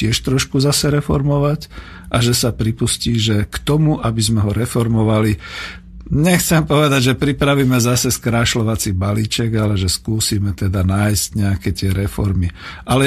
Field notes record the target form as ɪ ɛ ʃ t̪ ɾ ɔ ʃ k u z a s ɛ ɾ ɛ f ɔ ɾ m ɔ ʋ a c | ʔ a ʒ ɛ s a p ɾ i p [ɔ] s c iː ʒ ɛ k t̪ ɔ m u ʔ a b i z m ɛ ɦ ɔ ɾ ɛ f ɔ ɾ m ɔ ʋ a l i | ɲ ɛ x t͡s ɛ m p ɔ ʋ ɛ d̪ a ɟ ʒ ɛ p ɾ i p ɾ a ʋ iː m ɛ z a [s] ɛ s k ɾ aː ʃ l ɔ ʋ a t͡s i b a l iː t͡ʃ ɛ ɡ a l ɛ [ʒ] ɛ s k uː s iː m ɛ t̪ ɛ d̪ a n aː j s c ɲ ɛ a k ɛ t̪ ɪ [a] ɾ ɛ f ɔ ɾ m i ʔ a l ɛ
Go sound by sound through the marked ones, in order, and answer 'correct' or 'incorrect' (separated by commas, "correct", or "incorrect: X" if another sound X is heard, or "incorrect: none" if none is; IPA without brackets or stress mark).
incorrect: u, correct, correct, incorrect: ɛ